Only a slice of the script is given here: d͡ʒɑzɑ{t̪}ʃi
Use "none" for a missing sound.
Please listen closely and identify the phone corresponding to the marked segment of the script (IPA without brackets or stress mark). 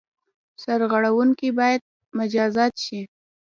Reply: t̪